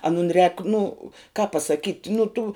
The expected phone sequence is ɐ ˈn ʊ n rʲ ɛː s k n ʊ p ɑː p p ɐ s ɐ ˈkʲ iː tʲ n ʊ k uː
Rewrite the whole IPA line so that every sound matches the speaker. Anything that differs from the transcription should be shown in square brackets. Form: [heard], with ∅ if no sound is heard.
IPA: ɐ ˈn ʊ n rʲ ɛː [∅] k n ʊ [k] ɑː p p ɐ s ɐ ˈkʲ iː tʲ n ʊ [t] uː